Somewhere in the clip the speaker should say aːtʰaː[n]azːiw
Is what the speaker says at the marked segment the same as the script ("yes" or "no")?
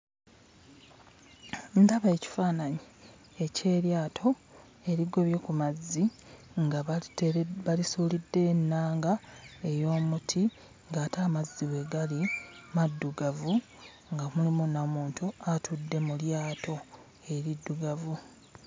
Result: no